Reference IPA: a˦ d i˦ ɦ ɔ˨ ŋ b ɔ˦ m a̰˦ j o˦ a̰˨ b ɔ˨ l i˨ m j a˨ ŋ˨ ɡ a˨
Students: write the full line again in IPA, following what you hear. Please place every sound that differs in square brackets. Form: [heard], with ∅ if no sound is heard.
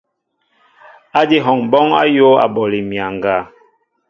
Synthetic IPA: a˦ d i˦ ɦ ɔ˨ ŋ b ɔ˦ [ŋ] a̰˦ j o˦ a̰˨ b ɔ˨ l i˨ m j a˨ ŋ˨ ɡ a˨